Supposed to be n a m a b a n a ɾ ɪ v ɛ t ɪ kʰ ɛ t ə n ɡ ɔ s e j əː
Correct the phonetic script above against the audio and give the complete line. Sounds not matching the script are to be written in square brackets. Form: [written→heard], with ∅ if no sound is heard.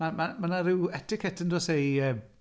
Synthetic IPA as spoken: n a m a [b→m] a n a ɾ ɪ [v→w] ɛ t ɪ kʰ ɛ t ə n [ɡ→d] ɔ s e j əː